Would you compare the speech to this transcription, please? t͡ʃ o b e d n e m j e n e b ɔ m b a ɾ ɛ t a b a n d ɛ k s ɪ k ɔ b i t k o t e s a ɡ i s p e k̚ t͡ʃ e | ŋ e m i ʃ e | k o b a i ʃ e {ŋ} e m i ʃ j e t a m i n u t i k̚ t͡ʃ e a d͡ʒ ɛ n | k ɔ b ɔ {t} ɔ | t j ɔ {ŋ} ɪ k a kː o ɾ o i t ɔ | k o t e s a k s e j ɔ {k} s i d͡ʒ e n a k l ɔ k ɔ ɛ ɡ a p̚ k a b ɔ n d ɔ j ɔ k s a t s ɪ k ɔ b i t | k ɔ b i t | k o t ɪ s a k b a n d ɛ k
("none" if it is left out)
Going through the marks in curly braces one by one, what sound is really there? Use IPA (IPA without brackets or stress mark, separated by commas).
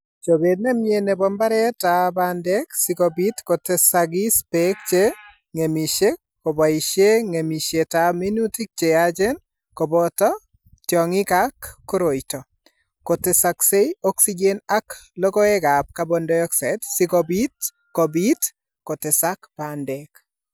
ŋ, t, ŋ, k